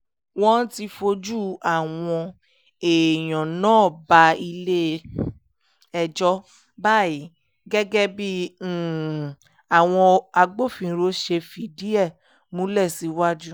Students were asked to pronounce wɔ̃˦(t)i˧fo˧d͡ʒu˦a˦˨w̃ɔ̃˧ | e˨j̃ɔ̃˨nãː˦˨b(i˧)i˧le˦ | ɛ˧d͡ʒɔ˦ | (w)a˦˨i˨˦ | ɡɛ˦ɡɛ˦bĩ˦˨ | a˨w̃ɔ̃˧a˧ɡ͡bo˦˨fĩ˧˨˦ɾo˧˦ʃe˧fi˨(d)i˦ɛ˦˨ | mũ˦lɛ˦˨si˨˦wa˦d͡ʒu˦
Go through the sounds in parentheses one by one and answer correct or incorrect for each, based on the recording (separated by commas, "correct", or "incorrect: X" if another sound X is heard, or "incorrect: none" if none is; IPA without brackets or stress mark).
correct, incorrect: a˧, incorrect: b, correct